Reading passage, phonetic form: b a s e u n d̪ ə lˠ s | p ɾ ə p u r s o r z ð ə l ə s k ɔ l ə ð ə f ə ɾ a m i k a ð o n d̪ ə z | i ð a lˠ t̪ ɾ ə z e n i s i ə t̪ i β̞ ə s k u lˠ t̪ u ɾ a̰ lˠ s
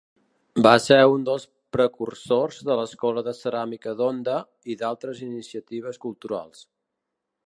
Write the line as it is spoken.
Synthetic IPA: b a s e u n d̪ ə lˠ s | p ɾ ə k u r s o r z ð ə l ə s k ɔ l ə ð ə s ə ɾ a m i k ə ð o n d̪ ə | i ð a lˠ t̪ ɾ ə z i n i s i ə t̪ i β̞ ə s k u lˠ t̪ u ɾ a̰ lˠ s

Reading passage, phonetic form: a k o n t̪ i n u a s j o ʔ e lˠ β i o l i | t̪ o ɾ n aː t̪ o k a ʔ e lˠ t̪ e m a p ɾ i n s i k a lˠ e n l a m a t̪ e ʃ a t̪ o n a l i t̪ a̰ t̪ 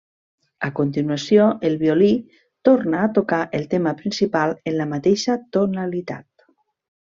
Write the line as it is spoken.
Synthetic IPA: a k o n t̪ i n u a s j o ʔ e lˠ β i o l i | t̪ o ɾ n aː t̪ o k a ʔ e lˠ t̪ e m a p ɾ i n s i p a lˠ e n l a m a t̪ e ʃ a t̪ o n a l i t̪ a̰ t̪

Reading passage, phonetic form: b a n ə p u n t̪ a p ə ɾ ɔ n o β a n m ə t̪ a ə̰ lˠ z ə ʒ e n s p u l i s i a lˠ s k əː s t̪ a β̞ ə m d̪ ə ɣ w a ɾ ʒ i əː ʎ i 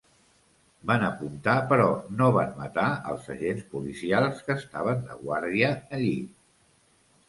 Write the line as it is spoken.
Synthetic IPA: b a n ə p u n t̪ a p ə ɾ ɔ n o β a n m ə t̪ a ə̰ lˠ z ə ʒ e n s p u l i s i a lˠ s k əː s t̪ a β̞ ə n d̪ ə ɣ w a ɾ ð i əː ʎ i

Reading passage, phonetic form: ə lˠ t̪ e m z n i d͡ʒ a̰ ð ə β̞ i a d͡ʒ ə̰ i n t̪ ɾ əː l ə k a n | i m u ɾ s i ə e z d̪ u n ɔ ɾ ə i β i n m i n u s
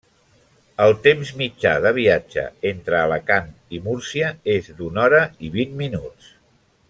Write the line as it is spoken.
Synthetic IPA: ə lˠ t̪ e m z m i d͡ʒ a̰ ð ə β̞ i a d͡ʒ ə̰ e n t̪ ɾ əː l ə k a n | i m u ɾ s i ə e z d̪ u n ɔ ɾ ə i β i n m i n u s

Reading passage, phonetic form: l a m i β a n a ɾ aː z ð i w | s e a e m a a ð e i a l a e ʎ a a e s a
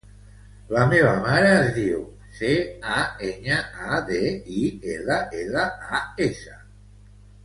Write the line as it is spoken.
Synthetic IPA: l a m e β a m a ɾ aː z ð i w | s e a e ɲ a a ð e i e l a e l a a e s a

